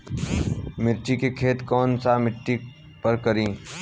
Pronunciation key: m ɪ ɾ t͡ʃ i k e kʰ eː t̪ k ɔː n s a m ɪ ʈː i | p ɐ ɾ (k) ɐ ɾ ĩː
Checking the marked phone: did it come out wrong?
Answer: no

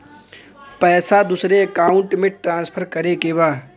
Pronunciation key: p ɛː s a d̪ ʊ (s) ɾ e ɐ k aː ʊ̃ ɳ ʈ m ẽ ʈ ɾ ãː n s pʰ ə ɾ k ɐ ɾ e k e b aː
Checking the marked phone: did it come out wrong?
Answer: no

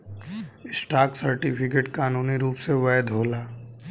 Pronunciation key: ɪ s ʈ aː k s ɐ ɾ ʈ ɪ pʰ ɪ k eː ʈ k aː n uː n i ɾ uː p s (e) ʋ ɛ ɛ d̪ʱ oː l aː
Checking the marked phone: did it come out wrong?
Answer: no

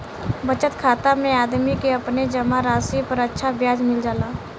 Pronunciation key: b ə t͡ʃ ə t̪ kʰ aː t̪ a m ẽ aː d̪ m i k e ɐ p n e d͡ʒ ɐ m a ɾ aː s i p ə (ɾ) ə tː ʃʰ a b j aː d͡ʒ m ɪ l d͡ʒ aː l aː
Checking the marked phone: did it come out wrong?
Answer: no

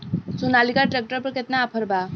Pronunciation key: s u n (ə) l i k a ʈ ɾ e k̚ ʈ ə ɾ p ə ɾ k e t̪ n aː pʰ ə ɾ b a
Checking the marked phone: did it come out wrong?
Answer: yes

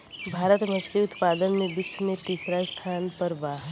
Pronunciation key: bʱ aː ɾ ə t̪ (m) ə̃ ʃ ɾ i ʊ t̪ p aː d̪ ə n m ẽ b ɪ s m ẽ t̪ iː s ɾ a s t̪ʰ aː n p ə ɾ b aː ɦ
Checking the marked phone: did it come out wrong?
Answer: no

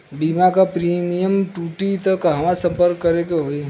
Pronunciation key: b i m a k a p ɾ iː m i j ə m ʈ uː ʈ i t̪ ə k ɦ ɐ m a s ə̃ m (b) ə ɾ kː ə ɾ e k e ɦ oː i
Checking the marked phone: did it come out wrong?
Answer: yes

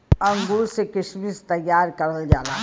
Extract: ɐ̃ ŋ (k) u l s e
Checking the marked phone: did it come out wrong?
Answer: yes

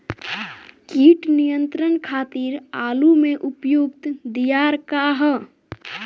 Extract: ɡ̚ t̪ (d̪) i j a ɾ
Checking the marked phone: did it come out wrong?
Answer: no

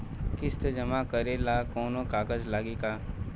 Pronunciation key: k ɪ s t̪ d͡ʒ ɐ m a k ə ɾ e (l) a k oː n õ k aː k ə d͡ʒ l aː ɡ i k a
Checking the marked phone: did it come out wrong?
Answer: no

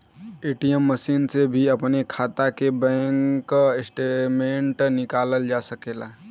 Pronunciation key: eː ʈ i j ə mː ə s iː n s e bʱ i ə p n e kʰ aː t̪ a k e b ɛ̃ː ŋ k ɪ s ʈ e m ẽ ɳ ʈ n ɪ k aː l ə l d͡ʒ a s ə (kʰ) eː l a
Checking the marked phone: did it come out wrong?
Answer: yes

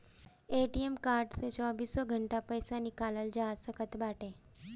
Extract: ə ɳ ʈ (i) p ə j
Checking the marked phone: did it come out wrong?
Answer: yes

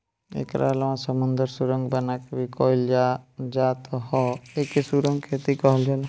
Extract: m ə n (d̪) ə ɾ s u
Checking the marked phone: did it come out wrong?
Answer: no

